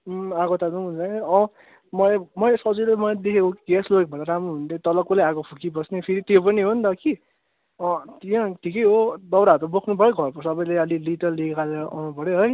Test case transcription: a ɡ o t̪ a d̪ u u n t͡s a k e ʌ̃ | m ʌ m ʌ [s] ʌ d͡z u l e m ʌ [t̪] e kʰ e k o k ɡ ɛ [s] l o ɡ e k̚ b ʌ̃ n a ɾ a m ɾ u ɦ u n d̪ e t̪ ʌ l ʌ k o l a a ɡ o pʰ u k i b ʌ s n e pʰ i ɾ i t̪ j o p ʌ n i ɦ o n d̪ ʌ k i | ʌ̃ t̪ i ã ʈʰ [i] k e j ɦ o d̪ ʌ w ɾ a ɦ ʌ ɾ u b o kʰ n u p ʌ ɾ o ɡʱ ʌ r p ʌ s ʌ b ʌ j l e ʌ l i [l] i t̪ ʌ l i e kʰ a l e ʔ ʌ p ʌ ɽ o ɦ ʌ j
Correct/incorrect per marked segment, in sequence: correct, incorrect: d̪, correct, correct, correct

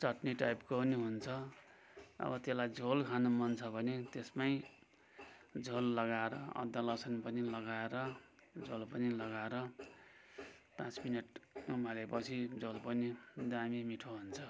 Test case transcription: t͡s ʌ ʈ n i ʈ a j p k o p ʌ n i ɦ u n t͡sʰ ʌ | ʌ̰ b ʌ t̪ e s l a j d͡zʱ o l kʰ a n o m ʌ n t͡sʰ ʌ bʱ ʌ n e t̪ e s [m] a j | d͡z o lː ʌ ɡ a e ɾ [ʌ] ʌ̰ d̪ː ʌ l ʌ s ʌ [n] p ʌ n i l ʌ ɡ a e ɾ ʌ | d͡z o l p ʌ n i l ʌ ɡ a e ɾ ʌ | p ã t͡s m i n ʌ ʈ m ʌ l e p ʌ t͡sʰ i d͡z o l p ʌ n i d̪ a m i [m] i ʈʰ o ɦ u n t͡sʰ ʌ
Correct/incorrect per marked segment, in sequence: correct, correct, correct, correct

